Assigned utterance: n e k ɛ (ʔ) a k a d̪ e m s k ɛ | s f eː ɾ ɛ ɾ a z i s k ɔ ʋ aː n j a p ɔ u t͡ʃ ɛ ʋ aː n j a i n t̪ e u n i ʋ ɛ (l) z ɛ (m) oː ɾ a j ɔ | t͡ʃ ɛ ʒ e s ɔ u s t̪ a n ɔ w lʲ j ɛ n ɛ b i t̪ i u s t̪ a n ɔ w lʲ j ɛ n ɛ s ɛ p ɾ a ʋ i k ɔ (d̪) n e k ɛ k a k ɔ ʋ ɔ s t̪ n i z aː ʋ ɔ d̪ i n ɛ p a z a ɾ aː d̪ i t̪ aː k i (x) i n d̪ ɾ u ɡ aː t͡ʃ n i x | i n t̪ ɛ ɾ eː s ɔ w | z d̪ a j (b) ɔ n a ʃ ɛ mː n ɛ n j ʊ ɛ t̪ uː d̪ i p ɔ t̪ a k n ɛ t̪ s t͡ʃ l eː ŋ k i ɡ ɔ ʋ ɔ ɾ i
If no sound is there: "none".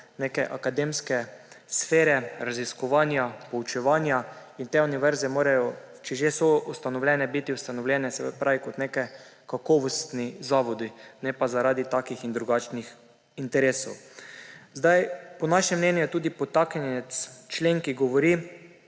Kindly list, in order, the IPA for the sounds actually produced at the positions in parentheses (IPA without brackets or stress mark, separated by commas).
ʔ, ɾ, m, t̪, x, p